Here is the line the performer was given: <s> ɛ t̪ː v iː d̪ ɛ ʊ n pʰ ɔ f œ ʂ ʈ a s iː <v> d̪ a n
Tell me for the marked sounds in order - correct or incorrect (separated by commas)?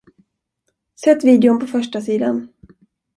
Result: correct, incorrect